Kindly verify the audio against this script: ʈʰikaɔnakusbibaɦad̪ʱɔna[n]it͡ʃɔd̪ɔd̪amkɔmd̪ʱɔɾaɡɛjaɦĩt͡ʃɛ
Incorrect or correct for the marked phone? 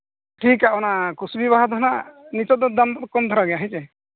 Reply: correct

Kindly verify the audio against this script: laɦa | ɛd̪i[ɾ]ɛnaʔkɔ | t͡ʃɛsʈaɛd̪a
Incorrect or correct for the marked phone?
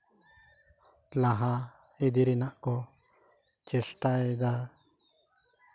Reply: correct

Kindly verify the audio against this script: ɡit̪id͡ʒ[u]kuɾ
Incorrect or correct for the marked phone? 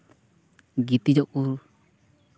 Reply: incorrect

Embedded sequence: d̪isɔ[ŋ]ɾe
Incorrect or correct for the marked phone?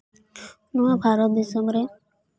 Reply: incorrect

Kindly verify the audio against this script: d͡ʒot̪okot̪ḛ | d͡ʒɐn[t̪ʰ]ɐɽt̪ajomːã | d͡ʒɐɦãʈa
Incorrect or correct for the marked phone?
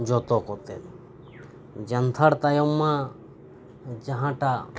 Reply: correct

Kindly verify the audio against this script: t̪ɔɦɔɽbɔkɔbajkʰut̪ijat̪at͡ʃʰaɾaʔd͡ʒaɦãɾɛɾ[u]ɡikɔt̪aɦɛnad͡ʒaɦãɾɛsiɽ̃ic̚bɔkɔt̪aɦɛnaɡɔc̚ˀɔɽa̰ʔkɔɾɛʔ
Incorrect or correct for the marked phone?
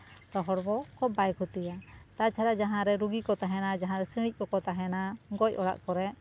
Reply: correct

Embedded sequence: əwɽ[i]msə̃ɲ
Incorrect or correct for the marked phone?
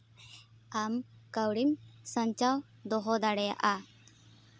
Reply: correct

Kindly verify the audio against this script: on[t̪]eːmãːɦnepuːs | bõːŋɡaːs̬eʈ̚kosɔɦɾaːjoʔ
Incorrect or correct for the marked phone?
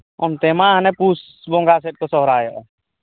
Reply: correct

